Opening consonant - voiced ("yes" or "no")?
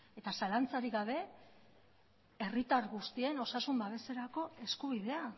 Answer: no